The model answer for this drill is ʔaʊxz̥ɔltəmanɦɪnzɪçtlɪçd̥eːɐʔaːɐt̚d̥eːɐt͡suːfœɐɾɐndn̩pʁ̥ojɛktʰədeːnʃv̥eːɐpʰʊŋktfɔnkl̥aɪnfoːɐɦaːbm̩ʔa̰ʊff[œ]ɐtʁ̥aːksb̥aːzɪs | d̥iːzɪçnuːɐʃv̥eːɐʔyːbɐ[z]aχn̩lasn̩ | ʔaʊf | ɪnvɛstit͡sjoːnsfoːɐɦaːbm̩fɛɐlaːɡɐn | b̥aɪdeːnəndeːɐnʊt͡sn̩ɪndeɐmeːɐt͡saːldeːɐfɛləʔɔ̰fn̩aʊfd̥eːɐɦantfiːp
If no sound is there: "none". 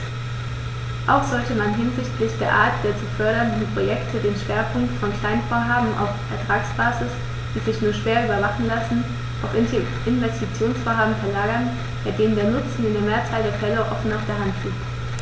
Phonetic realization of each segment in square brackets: ɛ, v

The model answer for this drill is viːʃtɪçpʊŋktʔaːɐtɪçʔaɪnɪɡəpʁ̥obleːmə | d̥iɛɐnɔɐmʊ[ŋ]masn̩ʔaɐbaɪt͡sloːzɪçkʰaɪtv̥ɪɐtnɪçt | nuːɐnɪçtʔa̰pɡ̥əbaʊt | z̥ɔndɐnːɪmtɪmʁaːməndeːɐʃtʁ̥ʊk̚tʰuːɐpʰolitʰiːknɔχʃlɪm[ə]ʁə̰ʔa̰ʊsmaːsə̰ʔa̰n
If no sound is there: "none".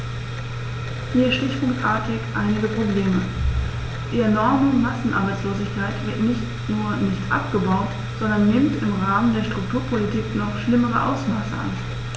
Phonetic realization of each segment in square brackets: ŋ, ə

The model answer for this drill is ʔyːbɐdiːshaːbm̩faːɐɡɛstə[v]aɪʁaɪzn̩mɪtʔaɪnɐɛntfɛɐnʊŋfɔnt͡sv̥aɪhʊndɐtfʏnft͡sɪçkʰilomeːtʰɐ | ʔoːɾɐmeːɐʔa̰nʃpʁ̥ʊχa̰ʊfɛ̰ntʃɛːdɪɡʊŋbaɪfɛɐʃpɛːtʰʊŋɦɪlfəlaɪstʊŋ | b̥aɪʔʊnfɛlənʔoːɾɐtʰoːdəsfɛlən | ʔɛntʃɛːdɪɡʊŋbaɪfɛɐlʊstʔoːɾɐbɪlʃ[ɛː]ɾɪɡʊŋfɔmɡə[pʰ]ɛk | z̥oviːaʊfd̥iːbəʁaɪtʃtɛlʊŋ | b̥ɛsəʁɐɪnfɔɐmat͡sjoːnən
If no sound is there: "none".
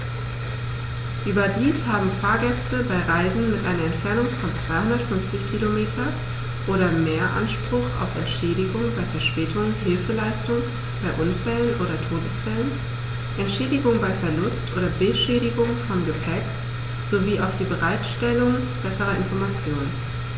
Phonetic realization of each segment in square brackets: b, ɛː, pʰ

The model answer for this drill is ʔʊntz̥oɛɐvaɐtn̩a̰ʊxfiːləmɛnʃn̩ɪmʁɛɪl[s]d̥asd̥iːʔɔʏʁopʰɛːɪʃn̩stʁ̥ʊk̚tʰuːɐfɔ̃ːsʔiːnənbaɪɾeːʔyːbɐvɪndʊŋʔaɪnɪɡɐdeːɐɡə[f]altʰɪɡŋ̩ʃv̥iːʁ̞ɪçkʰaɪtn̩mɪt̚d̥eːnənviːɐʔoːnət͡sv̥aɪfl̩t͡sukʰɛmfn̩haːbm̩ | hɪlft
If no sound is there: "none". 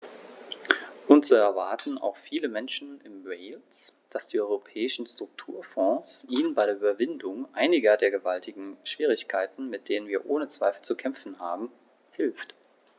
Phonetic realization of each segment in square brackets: s, v

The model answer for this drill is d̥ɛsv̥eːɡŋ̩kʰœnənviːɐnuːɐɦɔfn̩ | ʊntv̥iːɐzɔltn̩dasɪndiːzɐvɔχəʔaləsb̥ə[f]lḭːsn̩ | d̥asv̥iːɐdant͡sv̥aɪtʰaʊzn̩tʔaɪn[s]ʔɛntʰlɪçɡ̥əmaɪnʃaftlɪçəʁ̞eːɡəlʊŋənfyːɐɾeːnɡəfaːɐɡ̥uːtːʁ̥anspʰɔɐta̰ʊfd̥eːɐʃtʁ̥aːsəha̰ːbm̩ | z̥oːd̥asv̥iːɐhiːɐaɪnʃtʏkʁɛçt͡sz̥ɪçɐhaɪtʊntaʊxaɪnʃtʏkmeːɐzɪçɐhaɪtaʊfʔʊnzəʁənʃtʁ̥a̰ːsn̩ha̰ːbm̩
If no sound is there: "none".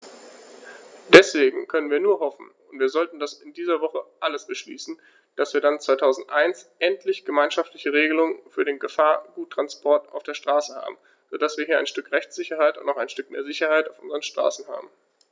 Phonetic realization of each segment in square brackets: ʃ, s

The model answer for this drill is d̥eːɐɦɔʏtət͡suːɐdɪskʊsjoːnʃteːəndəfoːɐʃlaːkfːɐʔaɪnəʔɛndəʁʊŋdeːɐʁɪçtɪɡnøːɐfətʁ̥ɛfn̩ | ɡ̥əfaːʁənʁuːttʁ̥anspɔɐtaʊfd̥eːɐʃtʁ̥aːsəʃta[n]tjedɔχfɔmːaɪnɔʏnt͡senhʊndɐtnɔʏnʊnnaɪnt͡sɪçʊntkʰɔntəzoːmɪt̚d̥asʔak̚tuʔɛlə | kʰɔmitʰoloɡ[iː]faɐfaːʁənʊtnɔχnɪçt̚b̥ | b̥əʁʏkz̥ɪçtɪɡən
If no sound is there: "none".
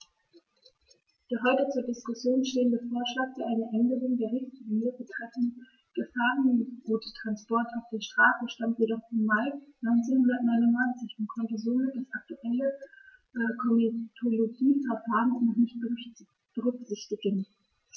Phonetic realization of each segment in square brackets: m, iː

